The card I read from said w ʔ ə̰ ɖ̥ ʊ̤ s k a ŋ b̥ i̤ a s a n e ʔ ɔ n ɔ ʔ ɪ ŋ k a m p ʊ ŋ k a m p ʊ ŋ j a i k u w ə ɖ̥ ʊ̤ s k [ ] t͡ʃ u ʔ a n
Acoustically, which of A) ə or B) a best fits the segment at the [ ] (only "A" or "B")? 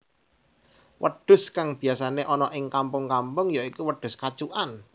B